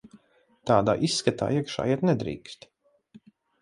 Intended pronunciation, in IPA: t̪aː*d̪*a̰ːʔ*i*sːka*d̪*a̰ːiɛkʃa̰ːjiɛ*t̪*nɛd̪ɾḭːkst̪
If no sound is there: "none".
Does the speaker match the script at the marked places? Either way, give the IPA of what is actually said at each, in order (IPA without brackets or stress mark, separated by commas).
d̪, i, t̪, t̪